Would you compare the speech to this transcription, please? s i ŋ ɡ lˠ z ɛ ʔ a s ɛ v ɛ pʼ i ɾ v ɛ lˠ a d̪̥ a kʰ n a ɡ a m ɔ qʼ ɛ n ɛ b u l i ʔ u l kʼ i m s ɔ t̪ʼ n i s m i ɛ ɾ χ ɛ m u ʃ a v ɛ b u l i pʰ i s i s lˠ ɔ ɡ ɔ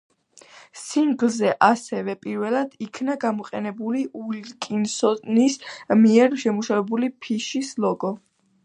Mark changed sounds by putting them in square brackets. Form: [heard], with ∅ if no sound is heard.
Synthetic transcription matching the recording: s i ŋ ɡ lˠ z ɛ ʔ a s ɛ v ɛ pʼ i ɾ v ɛ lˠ a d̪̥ [i] kʰ n a ɡ a m ɔ qʼ ɛ n ɛ b u l i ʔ u l kʼ i [n] s ɔ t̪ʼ n i s m i ɛ ɾ [ʃ] ɛ m u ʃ a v ɛ b u l i pʰ i [ʃ] i s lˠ ɔ ɡ ɔ